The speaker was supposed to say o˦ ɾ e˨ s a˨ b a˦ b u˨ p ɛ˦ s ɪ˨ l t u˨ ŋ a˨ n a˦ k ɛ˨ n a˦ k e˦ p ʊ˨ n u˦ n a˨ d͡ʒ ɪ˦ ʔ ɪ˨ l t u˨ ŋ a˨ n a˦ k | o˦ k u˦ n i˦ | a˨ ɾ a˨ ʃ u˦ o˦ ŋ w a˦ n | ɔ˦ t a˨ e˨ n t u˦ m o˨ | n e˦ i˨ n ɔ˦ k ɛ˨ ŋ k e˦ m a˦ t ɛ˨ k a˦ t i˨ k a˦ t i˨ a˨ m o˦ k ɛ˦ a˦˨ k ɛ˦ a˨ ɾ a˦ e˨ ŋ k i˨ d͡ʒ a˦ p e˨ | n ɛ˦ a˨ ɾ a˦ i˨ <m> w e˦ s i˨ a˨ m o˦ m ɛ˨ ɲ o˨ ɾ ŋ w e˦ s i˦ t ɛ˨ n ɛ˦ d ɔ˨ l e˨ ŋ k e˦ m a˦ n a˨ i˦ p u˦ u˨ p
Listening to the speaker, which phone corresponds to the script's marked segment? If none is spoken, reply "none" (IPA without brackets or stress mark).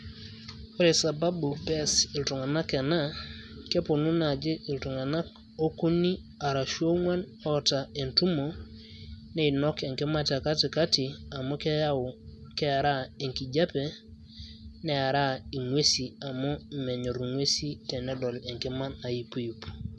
ŋ